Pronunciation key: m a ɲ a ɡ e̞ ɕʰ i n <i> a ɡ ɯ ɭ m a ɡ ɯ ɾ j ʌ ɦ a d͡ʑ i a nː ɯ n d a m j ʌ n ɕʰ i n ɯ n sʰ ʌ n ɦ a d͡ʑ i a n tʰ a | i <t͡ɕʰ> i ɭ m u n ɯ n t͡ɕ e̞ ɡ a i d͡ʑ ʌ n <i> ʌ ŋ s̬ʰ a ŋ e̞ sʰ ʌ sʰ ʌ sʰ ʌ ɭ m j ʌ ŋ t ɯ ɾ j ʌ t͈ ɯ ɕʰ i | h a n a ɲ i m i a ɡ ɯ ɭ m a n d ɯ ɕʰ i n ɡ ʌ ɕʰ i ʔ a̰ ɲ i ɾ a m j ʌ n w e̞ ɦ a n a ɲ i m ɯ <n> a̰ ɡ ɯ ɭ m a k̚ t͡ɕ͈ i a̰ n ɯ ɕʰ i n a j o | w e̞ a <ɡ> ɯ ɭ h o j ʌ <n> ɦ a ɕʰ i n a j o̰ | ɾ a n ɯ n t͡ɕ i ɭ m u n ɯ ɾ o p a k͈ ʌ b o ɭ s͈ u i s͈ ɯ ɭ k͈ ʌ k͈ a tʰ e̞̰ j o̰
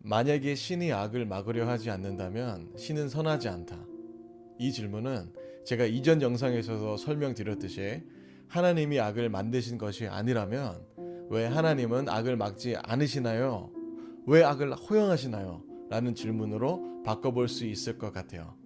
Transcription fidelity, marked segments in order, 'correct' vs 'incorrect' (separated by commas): correct, incorrect, incorrect, correct, correct, incorrect